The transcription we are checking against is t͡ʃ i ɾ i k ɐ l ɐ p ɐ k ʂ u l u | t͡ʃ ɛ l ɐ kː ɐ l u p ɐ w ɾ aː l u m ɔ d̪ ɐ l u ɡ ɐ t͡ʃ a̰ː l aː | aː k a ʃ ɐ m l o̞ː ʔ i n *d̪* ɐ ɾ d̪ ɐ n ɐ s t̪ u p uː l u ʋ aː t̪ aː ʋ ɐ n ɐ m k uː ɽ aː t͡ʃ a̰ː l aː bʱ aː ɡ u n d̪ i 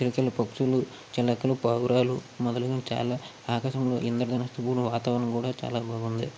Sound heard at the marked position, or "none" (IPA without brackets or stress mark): d̪